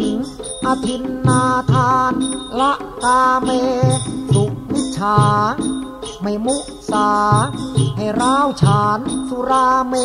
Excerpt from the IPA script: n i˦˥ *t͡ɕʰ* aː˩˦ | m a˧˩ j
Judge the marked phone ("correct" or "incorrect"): correct